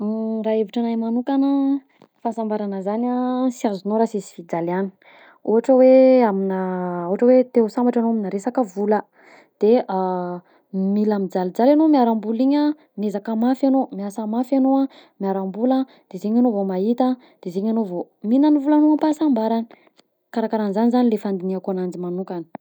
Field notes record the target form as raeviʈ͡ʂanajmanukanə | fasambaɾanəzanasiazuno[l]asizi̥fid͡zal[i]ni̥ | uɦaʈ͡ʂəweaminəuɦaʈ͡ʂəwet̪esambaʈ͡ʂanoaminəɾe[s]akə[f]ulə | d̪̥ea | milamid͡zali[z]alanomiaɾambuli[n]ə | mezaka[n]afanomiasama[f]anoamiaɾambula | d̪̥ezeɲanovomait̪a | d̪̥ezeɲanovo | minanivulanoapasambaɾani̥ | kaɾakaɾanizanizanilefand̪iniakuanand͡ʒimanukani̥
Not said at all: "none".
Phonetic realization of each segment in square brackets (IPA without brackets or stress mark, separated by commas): ɾ, a, s, v, d͡z, ɲ, m, f